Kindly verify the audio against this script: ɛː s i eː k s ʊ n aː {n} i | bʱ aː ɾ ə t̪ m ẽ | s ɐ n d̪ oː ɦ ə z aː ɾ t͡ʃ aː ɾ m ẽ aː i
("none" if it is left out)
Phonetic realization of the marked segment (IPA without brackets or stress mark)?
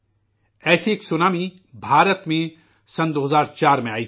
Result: m